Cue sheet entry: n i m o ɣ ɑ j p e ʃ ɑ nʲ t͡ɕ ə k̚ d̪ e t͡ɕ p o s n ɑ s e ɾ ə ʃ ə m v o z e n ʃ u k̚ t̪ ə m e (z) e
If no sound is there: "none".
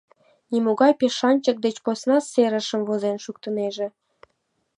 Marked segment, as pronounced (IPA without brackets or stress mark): ʒ